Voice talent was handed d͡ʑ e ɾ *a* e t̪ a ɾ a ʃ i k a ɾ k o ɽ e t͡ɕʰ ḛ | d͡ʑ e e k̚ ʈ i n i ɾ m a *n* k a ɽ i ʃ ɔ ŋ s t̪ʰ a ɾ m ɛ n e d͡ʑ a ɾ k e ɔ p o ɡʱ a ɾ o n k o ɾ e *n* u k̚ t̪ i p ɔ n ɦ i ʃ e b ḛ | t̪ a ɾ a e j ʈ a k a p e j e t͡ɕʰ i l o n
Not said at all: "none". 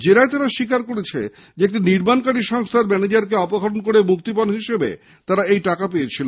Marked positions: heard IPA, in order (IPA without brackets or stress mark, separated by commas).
a, n, m